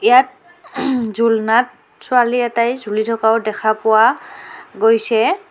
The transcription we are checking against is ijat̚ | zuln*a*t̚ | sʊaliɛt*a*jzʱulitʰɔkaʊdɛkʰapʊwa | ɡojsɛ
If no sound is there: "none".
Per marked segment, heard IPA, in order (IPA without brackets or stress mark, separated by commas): a, a